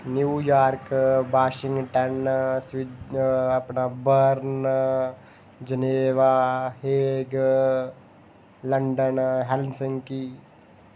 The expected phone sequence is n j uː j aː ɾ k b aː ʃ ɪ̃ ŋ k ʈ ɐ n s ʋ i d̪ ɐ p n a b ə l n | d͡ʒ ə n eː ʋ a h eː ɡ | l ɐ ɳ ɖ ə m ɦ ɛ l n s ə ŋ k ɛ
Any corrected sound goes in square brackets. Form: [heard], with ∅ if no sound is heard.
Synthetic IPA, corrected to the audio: n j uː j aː ɾ k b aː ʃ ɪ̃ ŋ [ɡ] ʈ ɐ n s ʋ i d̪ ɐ p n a b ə [ɾ] n | d͡ʒ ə n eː ʋ a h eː ɡ | l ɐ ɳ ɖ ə [n] ɦ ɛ l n s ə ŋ k [i]